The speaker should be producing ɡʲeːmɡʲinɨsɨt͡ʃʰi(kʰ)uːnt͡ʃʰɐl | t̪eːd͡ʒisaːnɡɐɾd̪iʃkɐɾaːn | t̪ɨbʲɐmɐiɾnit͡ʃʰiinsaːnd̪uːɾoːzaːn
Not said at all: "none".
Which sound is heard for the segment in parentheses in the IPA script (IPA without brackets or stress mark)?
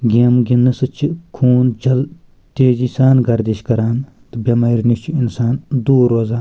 kʰ